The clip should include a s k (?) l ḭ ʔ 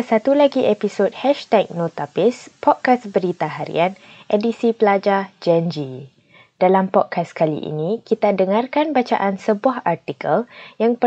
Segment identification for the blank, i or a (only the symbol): a